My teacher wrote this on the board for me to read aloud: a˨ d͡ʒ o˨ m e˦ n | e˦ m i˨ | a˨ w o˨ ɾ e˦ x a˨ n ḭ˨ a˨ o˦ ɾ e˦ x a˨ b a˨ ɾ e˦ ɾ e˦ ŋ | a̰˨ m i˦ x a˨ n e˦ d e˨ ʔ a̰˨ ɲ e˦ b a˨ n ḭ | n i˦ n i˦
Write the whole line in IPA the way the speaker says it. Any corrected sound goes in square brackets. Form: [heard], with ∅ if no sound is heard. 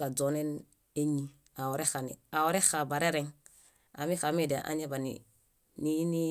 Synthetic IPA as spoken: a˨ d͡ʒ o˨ [n] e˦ n | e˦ [ɲ] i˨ | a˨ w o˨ ɾ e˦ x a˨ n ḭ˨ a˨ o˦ ɾ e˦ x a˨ b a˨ ɾ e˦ ɾ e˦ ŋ | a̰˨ m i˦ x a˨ [m] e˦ d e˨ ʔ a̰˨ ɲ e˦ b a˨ n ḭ | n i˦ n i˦